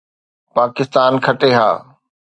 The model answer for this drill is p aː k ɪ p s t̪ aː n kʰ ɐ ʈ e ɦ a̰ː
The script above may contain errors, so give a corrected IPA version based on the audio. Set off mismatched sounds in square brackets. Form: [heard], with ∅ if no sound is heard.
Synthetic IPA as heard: p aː k ɪ [∅] s t̪ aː n kʰ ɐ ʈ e ɦ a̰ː